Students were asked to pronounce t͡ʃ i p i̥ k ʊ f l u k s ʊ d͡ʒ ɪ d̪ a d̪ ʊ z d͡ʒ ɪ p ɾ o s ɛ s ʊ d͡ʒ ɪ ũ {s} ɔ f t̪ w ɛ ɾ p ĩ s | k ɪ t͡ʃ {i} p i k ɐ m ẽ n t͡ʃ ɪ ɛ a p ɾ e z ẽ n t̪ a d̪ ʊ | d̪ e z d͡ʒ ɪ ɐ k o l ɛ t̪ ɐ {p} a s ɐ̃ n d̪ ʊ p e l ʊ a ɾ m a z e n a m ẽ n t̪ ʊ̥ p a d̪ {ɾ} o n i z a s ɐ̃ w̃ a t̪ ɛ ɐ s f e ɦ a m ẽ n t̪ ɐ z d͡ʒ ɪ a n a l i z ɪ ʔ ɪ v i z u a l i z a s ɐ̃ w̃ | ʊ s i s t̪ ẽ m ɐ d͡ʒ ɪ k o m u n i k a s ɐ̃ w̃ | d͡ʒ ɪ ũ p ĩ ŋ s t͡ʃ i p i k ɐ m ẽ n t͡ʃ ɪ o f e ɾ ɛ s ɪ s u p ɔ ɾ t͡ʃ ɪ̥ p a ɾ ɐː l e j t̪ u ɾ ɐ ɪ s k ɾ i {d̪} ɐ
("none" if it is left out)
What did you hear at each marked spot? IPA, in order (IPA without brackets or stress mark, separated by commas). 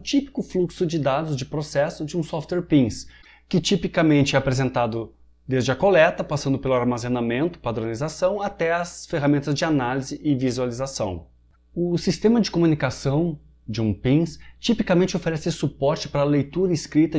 s, i, p, ɾ, t̪